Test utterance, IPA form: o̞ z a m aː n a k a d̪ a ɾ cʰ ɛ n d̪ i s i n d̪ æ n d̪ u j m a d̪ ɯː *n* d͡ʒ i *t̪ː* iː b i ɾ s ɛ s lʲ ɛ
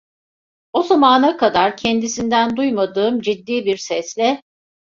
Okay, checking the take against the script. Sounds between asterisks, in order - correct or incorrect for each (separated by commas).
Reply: incorrect, incorrect